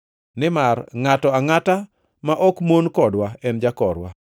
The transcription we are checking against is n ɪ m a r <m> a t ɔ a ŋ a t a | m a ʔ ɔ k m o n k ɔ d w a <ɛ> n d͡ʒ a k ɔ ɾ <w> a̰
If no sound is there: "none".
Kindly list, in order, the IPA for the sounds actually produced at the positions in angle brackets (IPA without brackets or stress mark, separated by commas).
ŋ, ɛ, w